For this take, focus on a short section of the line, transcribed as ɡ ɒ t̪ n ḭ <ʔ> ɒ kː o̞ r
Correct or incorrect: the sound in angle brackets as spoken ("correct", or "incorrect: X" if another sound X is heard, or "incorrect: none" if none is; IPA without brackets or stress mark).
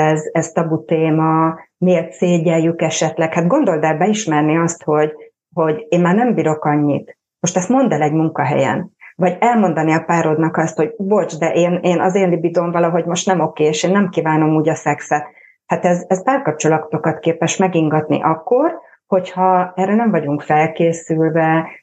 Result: correct